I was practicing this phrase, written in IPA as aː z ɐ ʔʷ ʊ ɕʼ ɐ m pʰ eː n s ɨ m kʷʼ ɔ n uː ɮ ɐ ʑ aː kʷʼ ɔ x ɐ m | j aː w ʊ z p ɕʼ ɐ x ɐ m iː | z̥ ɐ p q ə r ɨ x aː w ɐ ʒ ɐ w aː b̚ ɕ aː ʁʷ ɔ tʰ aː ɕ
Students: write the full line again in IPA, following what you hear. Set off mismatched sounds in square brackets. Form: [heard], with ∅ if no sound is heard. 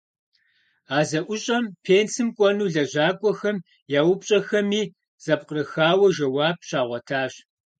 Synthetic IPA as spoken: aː z ɐ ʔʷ ʊ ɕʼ ɐ m pʰ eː n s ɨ m kʷʼ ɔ n uː ɮ ɐ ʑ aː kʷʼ ɔ x ɐ m | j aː w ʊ [∅] p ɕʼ ɐ x ɐ m iː | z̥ ɐ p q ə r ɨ x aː w ɐ ʒ ɐ w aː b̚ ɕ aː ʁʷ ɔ tʰ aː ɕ